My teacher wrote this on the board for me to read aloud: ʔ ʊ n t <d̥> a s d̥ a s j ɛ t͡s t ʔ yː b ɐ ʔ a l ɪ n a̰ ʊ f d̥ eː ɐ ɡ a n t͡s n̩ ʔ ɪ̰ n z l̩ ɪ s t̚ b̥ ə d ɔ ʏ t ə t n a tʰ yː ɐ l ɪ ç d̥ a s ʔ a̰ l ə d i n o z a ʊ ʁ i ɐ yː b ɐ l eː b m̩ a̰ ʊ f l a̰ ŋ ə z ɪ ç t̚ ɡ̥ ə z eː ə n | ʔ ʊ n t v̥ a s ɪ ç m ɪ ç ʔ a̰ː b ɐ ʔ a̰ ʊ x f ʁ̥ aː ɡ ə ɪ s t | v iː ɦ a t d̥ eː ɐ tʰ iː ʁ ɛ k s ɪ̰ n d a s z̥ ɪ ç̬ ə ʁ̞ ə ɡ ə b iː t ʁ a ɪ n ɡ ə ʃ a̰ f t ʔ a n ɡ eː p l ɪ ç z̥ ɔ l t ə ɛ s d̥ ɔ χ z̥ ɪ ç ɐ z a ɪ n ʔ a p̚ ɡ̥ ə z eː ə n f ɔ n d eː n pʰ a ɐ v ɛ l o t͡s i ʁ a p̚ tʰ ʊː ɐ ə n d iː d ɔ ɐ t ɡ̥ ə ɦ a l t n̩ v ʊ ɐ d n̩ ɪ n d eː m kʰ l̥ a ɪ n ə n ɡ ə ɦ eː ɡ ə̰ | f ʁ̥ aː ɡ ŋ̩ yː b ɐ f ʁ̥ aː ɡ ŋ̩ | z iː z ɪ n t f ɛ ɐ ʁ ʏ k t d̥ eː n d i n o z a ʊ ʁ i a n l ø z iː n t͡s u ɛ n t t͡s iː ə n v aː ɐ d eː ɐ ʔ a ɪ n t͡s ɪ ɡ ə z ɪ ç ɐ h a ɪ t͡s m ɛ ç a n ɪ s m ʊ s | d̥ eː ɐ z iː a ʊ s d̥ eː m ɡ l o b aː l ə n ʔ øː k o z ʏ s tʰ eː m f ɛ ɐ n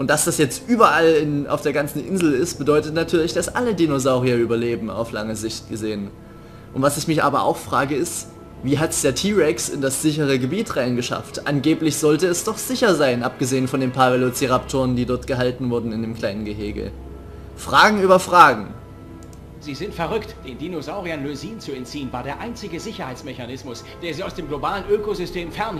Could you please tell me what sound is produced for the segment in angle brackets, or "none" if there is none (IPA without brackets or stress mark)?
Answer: d̥